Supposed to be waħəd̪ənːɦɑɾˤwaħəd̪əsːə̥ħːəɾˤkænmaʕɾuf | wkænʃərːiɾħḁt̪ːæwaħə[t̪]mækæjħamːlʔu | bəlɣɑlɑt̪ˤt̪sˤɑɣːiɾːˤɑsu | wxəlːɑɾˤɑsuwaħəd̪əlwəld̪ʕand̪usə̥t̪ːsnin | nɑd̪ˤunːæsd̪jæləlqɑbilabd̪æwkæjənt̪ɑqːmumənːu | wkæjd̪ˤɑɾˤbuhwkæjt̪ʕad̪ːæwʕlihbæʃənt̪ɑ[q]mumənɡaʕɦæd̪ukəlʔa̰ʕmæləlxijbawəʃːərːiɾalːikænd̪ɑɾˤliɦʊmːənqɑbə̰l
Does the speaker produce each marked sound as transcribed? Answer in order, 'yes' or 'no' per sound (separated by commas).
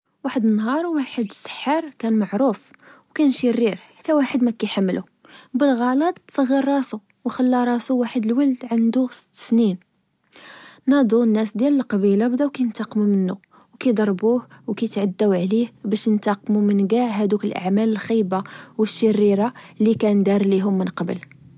no, yes